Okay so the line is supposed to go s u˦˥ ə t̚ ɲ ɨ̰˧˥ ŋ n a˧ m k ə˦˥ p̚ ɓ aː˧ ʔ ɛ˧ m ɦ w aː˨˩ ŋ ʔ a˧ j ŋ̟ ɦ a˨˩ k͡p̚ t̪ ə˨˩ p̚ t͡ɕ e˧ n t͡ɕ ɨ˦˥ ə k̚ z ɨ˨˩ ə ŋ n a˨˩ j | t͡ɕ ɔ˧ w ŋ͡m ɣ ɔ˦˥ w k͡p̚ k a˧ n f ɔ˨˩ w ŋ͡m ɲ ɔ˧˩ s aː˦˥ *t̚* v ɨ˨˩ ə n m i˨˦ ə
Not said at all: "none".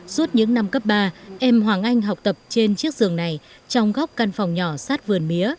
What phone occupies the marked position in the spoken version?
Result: t̚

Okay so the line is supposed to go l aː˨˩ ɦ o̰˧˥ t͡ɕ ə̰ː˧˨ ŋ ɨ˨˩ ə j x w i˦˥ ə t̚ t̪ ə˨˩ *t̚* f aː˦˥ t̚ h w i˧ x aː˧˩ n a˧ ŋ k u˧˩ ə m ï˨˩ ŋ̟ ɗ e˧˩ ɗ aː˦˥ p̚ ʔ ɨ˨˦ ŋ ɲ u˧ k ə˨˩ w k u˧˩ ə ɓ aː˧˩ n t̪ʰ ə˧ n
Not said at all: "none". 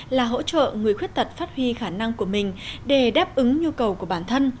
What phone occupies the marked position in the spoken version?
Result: t̚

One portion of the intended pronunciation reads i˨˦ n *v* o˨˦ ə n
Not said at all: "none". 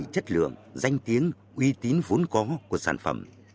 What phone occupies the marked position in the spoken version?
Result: v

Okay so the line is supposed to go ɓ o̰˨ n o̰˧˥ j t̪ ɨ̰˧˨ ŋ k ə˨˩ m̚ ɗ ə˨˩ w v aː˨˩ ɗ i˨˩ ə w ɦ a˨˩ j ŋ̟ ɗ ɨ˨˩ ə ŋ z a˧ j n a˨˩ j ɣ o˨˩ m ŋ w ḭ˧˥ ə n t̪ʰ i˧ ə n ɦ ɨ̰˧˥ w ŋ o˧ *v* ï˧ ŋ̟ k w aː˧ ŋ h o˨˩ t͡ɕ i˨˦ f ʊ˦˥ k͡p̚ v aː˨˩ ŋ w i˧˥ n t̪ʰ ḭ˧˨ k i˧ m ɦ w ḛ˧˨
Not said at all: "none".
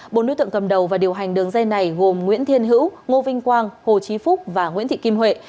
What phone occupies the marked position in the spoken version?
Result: v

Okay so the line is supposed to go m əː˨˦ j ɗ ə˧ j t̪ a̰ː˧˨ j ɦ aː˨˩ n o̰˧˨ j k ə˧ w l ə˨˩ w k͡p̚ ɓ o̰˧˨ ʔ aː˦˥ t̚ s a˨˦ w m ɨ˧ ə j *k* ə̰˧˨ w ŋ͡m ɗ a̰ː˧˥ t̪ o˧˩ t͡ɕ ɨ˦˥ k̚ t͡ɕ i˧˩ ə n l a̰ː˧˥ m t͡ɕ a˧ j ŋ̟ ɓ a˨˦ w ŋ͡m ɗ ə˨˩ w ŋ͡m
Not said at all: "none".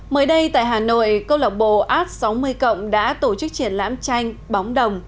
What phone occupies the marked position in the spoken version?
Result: k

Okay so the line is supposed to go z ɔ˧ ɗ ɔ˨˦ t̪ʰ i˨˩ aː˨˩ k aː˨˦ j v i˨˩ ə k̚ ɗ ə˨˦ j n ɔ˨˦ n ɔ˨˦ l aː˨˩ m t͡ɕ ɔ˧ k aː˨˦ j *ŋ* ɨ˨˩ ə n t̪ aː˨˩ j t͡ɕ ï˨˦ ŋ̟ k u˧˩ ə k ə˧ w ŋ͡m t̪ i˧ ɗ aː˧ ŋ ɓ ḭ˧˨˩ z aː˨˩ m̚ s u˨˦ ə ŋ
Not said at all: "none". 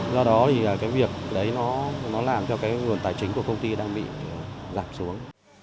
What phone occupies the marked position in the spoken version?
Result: ŋ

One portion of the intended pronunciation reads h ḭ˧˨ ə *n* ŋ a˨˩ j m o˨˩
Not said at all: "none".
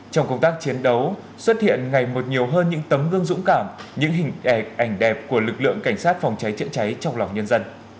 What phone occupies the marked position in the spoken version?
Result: n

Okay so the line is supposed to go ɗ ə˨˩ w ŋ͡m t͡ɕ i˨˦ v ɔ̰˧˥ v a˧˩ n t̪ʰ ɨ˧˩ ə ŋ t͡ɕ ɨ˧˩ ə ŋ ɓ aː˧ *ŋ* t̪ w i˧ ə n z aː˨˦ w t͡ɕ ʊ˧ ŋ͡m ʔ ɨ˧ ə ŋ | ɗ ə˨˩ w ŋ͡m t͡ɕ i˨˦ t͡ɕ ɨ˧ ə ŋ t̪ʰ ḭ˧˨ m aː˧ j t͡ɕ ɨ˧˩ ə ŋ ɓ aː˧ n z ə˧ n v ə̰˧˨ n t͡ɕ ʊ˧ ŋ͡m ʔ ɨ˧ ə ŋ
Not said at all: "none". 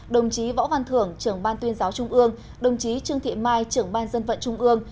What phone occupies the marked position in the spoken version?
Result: n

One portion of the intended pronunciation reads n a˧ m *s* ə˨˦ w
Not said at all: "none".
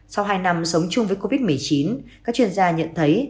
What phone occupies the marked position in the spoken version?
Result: s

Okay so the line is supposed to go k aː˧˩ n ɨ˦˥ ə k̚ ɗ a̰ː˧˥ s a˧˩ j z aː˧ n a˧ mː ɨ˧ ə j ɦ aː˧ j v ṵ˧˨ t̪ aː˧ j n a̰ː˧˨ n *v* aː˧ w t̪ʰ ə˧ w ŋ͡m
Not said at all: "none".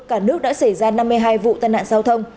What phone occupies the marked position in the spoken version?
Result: z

